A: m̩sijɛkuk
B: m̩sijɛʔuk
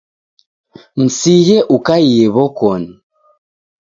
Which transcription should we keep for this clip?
B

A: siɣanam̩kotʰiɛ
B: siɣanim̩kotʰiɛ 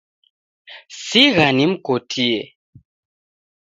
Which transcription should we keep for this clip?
B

